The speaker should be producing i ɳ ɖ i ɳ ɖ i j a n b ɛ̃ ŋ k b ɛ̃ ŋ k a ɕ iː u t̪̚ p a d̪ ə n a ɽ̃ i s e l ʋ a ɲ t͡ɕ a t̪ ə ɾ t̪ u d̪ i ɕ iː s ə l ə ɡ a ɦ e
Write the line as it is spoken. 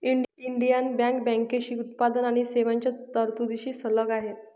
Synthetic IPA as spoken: i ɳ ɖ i ɳ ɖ i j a n b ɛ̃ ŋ k b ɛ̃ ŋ k e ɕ iː u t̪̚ p a d̪ ə n a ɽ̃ i s e ʋ a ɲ t͡ɕ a t̪ ə ɾ t̪ u d̪ i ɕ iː s ə l ə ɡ a ɦ e

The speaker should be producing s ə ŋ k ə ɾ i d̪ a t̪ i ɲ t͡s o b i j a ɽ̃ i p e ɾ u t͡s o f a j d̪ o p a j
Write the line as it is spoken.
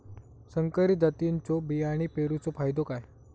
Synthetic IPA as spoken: s ə ŋ k ə ɾ i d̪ a t̪ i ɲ t͡s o b i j a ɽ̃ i p e ɾ u t͡s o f a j d̪ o k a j

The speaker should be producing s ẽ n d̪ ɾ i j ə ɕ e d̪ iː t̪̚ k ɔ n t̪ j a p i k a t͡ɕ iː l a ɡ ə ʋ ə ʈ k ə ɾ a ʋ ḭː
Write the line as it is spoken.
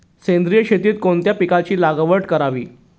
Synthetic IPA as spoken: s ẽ n d̪ ɾ i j ə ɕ e t̪ iː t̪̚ k o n t̪ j a p i k a t͡ɕ iː l a ɡ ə ʋ ə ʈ k ə ɾ a ʋ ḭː

